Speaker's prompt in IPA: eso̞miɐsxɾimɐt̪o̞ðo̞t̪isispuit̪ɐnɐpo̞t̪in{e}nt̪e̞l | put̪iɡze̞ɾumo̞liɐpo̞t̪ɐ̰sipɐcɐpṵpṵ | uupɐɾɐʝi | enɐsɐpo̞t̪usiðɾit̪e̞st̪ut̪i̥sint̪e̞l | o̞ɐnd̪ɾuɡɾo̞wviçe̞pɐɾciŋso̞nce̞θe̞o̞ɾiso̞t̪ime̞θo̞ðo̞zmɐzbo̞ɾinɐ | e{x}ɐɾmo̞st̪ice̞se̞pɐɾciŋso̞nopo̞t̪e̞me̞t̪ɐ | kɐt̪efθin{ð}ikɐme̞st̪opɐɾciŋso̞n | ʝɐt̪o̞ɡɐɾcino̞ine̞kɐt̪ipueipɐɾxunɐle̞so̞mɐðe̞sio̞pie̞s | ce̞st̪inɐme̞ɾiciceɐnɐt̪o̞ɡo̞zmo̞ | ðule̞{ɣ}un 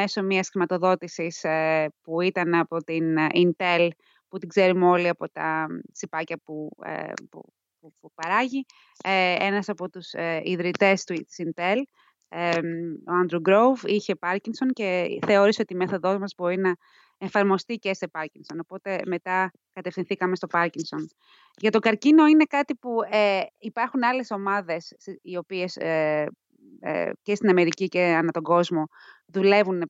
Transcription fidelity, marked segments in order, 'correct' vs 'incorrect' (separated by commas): incorrect, incorrect, incorrect, incorrect